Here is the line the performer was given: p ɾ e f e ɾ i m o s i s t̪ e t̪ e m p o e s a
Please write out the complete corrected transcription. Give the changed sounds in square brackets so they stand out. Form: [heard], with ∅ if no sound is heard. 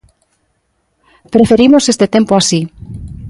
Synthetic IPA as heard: p ɾ e f e ɾ i m o s [e] s t̪ e t̪ e m p o [a] s [i]